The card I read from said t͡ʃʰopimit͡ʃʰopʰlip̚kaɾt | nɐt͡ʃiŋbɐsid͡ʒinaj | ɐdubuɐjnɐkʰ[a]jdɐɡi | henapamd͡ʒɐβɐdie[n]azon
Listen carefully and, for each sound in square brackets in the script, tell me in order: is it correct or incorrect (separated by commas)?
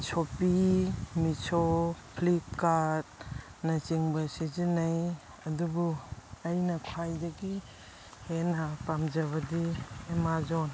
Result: correct, incorrect